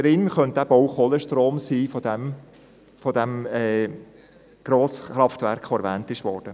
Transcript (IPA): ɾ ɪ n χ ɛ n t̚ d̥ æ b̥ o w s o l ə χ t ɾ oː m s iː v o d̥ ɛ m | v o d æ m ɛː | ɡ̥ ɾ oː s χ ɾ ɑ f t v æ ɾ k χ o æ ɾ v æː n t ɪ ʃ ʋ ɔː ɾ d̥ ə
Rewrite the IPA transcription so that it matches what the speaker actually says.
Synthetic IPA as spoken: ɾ ɪ n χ œ n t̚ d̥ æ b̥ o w χ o l ə ʃ t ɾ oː m s iː f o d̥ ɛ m | f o d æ m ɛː | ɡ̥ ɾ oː s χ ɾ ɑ f t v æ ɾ k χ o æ ɾ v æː n t ɪ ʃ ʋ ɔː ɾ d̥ ə

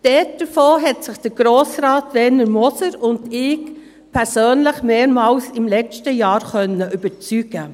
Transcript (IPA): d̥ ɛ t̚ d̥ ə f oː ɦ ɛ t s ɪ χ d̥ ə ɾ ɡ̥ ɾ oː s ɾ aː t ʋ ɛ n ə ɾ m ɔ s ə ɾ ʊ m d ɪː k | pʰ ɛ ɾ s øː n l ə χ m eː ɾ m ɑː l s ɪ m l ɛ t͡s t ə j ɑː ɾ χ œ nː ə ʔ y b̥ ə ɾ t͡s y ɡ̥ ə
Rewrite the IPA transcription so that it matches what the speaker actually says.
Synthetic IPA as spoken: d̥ ɛ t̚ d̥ ə f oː ɦ ɛ t s ɪ χ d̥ ə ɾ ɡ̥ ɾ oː s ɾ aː t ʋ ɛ n ə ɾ m ɔ s ə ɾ ʊ n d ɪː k | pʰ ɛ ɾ s øː n l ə χ m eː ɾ m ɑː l s ɪ m l ɛ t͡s t ə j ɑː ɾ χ œ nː ə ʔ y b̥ ə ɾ t͡s y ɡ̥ ə

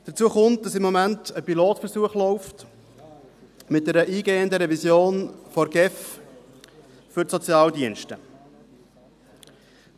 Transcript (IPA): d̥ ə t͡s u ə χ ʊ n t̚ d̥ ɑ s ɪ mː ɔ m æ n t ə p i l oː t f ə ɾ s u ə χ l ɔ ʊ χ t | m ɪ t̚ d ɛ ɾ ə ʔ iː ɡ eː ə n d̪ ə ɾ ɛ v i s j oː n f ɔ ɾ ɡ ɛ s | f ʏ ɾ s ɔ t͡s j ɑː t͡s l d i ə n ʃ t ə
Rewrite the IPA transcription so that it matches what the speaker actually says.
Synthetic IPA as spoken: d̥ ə t͡s u ə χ ʊ n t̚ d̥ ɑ s ɪ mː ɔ m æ n t ə p i l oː t f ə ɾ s u ə χ l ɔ ʊ f t | m ɪ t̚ d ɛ ɾ ə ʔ iː ɡ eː ə n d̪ ə ɾ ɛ v i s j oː n f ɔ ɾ ɡ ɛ f | f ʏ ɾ s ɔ t͡s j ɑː l d i ə n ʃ t ə

